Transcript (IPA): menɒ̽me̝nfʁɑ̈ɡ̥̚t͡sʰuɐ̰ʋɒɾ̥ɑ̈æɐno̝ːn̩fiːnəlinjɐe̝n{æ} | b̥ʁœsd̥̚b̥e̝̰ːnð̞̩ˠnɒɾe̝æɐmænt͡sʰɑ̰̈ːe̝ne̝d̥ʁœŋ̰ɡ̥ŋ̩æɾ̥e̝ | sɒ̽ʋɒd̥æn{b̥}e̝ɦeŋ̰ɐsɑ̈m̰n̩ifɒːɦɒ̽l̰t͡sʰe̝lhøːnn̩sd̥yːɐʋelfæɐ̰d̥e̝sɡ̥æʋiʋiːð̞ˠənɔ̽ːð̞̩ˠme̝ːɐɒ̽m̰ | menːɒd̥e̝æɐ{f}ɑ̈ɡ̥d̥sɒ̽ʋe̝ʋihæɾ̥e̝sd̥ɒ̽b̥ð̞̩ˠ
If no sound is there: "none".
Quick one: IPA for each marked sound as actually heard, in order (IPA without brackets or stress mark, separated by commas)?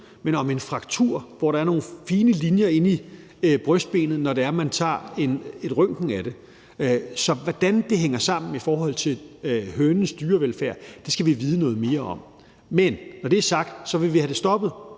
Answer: i, d̥, s